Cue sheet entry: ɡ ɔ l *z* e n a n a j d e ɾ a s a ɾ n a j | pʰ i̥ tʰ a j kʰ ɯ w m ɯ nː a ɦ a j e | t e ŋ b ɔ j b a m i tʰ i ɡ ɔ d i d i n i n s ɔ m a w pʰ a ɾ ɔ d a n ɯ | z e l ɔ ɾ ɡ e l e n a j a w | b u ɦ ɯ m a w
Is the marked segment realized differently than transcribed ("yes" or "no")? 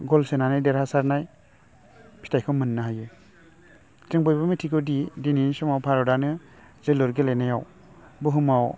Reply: yes